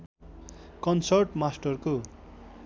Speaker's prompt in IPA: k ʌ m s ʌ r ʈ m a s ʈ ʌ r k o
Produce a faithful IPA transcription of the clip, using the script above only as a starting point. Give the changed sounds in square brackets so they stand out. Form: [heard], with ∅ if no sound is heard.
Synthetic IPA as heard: k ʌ [n] s ʌ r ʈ m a s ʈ ʌ r k o